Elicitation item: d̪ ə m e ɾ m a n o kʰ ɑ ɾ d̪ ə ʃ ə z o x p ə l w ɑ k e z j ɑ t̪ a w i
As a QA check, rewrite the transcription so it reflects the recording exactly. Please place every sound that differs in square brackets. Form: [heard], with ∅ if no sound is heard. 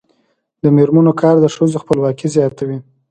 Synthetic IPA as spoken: d̪ ə m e ɾ m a n o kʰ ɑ ɾ d̪ ə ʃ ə z o x p ə l w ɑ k [i] z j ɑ t̪ a w i